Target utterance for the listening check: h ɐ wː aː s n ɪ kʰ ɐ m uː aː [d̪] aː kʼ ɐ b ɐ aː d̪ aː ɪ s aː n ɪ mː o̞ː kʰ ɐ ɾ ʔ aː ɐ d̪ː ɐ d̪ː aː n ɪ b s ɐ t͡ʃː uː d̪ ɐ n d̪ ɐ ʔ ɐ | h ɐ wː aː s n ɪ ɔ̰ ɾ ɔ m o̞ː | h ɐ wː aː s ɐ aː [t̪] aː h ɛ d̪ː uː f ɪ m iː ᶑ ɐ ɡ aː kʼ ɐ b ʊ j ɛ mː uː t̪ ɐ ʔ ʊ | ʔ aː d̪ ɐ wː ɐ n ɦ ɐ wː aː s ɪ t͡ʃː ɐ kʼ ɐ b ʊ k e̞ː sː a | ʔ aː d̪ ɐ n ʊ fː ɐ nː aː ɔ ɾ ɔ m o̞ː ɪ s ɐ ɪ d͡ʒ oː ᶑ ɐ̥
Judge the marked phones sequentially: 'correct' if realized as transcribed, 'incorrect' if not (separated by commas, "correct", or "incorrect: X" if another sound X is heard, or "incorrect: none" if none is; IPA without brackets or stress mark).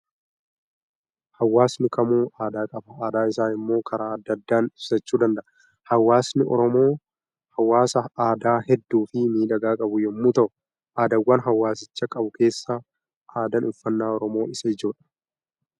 correct, incorrect: d̪